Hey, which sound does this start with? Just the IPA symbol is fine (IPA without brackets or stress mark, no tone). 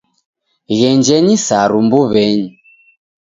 ɣ